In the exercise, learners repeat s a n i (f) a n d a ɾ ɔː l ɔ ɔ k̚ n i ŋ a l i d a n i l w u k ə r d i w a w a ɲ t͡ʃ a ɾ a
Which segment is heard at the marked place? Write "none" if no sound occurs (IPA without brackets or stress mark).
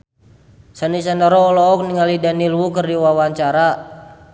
s